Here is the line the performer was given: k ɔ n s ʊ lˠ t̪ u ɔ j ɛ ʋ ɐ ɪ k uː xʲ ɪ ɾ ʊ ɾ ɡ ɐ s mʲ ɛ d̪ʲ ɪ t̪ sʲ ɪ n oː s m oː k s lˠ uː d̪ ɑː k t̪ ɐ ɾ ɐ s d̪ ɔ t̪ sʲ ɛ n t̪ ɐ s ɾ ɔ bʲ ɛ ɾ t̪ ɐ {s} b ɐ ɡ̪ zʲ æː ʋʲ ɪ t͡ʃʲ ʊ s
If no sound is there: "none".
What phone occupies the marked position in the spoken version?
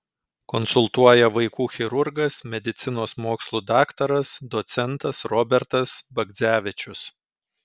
s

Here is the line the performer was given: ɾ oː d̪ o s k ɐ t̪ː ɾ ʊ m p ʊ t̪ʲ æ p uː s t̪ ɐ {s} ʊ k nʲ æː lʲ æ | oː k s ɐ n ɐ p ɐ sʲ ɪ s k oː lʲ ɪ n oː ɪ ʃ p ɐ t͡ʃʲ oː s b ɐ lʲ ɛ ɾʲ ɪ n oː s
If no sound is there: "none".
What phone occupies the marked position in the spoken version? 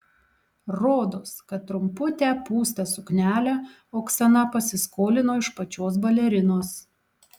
s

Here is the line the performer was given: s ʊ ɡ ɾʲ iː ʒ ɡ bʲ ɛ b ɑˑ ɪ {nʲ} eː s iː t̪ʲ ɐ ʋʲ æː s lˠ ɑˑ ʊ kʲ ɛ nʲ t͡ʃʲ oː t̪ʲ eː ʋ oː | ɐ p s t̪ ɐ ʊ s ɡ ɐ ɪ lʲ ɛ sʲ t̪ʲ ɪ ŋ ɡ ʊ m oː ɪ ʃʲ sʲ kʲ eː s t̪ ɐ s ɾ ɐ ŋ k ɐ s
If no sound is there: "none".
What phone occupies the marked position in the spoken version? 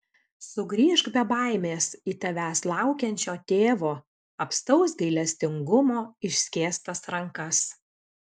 mʲ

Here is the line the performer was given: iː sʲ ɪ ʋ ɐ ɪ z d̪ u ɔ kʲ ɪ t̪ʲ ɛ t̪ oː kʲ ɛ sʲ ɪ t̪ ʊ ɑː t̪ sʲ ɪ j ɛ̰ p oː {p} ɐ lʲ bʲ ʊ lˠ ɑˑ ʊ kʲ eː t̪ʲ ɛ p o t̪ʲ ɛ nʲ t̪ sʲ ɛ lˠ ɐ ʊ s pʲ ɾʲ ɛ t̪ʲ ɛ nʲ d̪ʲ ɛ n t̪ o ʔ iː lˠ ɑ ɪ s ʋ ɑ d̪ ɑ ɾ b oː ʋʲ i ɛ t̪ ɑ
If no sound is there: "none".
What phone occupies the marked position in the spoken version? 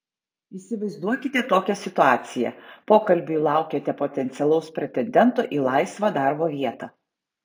k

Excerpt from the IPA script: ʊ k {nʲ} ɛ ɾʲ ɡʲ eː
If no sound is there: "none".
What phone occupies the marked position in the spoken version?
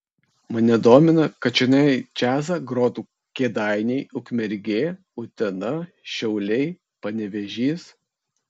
mʲ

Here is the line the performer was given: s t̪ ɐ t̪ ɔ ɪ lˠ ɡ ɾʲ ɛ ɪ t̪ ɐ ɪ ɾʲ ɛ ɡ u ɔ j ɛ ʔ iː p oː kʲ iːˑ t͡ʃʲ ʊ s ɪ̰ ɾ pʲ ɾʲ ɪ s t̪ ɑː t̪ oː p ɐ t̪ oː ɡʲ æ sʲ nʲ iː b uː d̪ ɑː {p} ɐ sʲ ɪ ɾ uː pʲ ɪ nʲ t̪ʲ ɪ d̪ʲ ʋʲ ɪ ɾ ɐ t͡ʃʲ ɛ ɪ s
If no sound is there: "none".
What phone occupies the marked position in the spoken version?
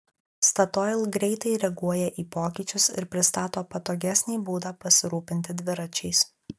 p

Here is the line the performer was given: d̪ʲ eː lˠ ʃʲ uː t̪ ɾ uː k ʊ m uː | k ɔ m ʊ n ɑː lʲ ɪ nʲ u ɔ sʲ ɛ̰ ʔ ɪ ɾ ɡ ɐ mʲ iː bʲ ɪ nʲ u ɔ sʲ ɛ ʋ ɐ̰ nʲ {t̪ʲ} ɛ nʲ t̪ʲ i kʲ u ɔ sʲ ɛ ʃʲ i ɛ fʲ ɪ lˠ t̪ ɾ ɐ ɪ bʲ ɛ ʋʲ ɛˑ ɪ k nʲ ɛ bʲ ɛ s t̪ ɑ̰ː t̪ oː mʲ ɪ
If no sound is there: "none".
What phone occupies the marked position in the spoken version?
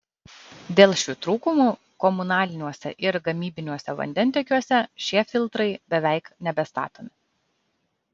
d̪ʲ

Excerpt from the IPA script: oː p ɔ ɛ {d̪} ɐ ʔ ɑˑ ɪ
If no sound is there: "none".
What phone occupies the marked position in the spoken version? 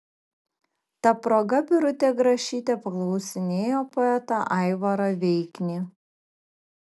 t̪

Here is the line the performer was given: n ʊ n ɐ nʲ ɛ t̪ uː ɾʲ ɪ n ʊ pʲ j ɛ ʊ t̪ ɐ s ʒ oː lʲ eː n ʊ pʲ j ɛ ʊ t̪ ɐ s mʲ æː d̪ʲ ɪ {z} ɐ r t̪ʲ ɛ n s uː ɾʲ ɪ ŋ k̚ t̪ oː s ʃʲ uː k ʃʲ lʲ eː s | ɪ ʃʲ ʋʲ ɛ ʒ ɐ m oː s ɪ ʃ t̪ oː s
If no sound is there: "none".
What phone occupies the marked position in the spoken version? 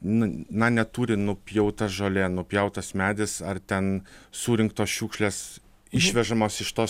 s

